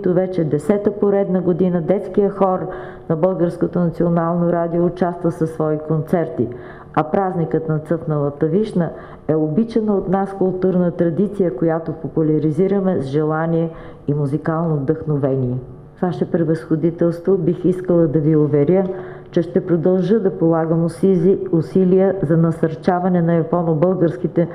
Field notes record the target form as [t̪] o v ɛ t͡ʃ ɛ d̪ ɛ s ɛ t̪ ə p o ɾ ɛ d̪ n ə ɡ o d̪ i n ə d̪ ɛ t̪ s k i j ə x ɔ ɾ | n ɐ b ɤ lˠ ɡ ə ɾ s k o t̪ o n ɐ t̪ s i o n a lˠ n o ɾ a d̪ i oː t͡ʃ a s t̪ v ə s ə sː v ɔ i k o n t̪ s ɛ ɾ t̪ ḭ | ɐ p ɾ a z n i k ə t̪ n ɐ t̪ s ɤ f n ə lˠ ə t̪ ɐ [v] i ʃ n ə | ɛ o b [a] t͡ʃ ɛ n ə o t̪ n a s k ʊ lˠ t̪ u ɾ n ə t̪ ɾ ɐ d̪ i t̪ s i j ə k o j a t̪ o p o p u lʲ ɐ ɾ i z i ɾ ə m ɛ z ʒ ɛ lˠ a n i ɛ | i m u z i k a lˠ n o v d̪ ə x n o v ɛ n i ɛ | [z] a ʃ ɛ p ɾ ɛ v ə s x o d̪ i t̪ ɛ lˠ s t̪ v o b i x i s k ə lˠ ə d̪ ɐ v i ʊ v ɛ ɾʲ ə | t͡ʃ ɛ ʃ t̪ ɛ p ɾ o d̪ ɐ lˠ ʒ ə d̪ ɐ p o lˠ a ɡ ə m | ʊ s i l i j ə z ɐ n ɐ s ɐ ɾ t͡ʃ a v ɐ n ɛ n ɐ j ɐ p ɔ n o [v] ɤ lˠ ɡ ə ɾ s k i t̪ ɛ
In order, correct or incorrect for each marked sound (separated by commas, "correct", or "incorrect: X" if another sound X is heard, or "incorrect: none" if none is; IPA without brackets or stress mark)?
correct, correct, incorrect: i, incorrect: v, incorrect: b